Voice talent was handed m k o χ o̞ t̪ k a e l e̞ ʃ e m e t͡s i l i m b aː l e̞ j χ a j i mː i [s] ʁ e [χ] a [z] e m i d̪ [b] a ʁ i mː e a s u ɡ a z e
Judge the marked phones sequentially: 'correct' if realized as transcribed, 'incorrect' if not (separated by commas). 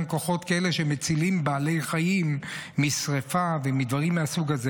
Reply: correct, incorrect, incorrect, incorrect